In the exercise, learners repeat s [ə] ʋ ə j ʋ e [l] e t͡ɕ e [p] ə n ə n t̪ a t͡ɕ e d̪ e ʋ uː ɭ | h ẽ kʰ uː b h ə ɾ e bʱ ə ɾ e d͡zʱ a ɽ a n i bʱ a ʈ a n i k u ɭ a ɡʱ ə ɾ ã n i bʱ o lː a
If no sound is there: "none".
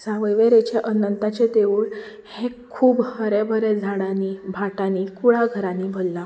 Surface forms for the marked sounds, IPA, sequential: a, ɾ, ʔ

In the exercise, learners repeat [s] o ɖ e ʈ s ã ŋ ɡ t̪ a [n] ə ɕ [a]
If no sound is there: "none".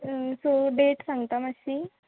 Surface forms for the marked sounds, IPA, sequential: s, m, i

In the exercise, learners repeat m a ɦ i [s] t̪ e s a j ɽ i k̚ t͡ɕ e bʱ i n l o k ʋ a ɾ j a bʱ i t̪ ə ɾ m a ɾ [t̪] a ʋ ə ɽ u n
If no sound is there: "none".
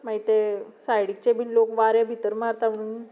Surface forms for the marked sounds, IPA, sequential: none, t̪

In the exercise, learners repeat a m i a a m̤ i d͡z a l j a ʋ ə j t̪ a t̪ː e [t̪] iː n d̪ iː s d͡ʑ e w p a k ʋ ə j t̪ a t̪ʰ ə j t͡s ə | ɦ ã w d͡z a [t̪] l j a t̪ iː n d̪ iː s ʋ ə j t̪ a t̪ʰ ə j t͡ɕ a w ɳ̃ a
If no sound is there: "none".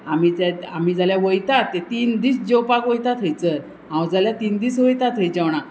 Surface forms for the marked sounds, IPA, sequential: t̪, none

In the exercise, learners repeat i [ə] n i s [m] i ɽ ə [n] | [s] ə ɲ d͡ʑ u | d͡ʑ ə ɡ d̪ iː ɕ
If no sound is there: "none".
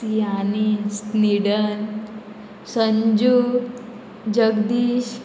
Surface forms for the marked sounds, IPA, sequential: a, n, n, s

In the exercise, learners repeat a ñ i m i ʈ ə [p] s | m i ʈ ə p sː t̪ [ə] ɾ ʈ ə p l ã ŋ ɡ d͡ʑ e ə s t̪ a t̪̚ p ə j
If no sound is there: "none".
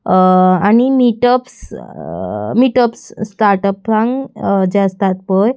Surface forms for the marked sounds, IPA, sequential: p, a

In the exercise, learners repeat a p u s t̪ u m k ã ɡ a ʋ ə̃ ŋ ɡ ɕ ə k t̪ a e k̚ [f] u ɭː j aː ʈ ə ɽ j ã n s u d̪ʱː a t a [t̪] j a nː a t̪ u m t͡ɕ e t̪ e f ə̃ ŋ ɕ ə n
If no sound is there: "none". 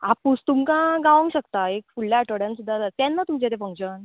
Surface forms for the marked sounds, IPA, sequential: f, t̪

